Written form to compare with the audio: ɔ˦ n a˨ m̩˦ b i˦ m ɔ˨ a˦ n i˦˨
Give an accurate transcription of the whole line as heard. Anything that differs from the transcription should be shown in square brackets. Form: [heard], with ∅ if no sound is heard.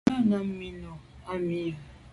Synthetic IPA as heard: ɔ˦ n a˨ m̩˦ [m] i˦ [n] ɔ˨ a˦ [m] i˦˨